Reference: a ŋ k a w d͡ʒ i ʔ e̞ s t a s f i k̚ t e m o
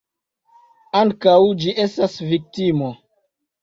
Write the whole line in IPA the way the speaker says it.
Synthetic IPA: a ŋ k a w d͡ʒ i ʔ e̞ s t a s v i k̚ t i m o